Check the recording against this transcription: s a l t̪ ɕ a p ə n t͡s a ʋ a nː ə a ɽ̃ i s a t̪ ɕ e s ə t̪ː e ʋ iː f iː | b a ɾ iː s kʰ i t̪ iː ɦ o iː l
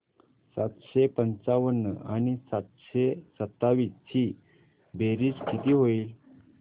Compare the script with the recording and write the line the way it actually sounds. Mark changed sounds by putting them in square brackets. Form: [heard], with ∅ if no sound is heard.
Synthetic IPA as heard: s a [∅] t̪ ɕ [e] p ə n t͡s a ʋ [ə] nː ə a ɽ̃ i s a t̪ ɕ e s ə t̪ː [a] ʋ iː [s] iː | b [e] ɾ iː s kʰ i t̪ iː ɦ o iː l